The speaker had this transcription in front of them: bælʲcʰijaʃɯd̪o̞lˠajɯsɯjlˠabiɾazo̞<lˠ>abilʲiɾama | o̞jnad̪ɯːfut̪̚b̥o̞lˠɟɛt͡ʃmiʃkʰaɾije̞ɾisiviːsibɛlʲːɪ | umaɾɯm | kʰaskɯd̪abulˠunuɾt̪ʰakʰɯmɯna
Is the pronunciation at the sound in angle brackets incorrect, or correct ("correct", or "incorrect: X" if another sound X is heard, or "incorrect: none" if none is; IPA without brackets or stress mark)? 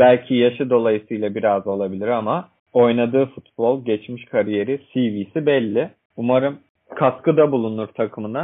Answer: correct